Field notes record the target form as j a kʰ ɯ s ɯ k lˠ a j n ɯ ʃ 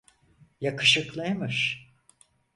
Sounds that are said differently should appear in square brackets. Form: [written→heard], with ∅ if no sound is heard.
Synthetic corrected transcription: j a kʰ ɯ [s→ʃ] ɯ k lˠ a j [n→m] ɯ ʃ